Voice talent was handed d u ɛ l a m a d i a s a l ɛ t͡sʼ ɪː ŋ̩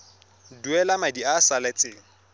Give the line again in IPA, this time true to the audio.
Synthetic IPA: d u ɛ l a m a d i a s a l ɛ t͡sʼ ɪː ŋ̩